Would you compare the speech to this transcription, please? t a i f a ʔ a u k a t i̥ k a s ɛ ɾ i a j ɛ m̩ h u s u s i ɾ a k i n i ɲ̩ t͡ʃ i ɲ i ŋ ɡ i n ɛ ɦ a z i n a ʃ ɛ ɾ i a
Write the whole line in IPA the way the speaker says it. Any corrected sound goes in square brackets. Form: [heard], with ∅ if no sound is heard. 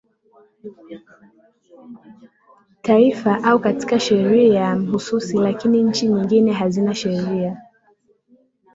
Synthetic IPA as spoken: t a i f a ʔ a u k a t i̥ k a [ʃ] ɛ ɾ i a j [a] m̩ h u s u s i [l] a k i n i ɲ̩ t͡ʃ i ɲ i ŋ ɡ i n ɛ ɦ a z i n a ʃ ɛ ɾ i a